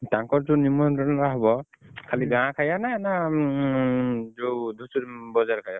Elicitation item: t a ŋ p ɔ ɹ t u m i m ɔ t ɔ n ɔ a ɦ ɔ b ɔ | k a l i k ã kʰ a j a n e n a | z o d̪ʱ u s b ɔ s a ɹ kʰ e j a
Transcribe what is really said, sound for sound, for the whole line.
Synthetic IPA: t a ŋ k ɔ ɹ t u n i m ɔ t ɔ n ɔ a ɦ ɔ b ɔ | kʰ a l i ɡ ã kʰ a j a n a n a | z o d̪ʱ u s b ɔ z a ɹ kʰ a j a